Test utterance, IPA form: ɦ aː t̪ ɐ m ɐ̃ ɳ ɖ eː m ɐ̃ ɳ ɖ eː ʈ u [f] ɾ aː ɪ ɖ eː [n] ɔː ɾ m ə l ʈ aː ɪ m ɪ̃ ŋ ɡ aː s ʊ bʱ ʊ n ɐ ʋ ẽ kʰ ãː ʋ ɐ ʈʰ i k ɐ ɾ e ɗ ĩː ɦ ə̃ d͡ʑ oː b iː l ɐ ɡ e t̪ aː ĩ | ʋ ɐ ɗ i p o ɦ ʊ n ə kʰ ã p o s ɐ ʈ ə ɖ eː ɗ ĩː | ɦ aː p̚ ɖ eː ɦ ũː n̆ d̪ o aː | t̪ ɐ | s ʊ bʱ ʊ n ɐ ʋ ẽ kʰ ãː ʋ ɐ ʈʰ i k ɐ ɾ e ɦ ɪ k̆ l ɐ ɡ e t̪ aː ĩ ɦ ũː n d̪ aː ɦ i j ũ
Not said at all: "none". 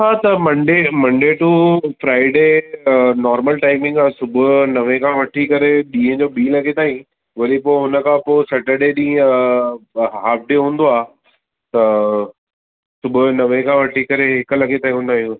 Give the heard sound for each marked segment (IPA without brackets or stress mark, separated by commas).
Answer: f, n